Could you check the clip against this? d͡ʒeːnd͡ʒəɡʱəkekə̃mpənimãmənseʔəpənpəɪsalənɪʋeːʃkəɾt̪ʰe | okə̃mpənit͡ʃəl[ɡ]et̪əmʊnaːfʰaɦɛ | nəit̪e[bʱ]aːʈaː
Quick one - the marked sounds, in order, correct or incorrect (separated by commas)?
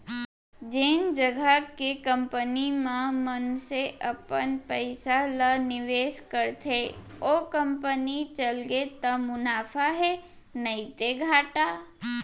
correct, incorrect